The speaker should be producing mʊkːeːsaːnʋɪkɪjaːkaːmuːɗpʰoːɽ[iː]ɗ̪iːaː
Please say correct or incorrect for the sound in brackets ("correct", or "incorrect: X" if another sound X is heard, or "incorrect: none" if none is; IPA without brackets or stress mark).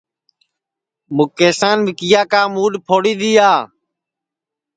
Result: correct